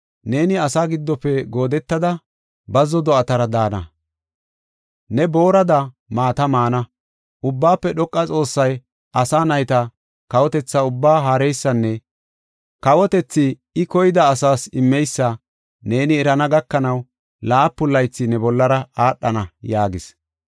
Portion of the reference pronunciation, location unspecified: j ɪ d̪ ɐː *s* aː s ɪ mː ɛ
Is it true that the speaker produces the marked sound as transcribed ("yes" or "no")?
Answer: yes